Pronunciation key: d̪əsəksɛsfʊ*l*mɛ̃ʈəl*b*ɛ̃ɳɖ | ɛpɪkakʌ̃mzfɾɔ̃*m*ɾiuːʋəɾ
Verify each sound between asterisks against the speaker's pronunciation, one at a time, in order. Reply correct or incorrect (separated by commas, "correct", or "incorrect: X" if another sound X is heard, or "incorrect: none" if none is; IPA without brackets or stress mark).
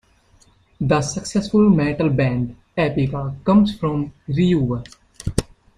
correct, correct, correct